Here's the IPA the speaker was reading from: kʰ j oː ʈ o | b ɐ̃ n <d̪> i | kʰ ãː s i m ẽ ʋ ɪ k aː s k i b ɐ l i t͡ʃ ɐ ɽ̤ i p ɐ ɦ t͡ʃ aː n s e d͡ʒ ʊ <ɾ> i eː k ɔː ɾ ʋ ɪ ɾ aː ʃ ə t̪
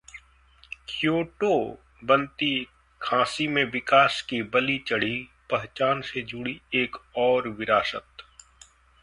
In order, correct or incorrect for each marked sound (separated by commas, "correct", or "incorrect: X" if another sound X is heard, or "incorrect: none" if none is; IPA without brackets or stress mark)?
incorrect: t̪, incorrect: ɽ